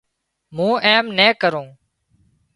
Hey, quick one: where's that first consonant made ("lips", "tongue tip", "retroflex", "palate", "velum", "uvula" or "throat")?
lips